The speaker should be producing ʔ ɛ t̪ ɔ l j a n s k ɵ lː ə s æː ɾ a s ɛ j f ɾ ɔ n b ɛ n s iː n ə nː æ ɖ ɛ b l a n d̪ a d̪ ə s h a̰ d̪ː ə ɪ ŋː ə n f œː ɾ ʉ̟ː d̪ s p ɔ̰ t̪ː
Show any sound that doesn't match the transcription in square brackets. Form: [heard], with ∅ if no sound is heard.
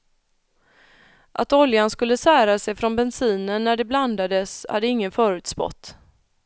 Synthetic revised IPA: ʔ [a] t̪ ɔ l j a n s k ɵ lː ə s æː ɾ a s ɛ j f ɾ ɔ n b ɛ n s iː n ə nː æ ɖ ɛ b l a n d̪ a d̪ ə s h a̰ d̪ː ə ɪ ŋː ə n f œː ɾ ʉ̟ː [t̪] s p ɔ̰ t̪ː